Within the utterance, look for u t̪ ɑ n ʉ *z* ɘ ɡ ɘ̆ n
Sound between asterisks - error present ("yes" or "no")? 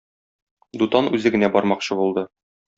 no